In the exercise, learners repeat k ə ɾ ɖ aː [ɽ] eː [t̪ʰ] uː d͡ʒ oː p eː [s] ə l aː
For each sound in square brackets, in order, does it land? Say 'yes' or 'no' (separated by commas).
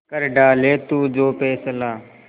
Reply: no, no, yes